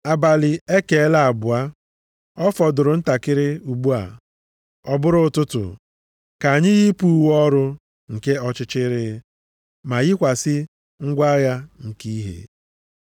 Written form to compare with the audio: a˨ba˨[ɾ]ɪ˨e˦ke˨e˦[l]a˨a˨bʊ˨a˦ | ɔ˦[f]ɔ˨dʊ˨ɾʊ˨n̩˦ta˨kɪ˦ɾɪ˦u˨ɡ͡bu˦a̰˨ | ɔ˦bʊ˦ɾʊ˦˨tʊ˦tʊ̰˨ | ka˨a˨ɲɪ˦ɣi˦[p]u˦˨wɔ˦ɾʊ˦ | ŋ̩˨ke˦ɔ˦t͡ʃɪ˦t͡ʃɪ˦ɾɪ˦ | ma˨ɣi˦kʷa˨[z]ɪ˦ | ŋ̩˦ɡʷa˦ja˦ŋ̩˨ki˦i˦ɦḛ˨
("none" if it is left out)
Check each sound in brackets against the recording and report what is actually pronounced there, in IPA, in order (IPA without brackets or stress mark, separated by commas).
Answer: l, l, f, p, s